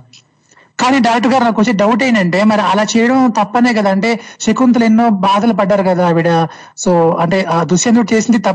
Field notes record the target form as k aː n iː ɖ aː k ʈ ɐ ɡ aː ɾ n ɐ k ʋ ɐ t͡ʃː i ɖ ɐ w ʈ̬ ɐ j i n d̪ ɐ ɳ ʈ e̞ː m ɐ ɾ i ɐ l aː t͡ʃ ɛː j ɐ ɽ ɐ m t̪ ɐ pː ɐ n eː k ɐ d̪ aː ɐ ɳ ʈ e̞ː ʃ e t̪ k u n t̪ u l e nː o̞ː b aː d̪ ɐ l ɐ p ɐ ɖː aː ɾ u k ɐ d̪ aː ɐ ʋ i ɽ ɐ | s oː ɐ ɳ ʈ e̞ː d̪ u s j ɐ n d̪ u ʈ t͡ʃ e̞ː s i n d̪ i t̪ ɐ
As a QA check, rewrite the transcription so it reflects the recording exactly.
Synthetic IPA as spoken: k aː n iː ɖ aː k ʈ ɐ ɡ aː ɾ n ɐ k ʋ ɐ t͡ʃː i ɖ ɐ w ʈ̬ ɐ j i n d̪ ɐ ɳ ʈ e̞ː m ɐ ɾ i ɐ l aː t͡ʃ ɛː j ɐ ɽ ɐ m t̪ ɐ pː ɐ n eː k ɐ d̪ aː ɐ ɳ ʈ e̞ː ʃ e k u n t̪ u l e nː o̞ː b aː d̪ ɐ l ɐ p ɐ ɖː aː ɾ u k ɐ d̪ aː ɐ ʋ i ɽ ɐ | s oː ɐ ɳ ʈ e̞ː d̪ u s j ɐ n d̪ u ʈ t͡ʃ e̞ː s i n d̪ i t̪ ɐ